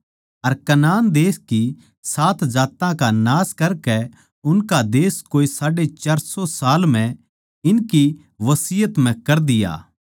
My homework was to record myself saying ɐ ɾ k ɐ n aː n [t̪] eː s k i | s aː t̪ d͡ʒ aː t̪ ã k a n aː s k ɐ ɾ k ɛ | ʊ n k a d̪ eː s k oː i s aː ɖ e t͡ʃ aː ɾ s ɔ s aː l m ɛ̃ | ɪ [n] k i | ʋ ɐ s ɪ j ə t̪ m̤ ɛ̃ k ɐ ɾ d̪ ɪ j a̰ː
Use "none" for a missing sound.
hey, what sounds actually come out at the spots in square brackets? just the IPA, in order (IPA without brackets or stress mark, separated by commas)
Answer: d̪, n